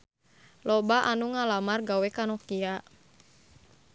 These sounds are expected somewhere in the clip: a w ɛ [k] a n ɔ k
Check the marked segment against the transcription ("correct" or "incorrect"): correct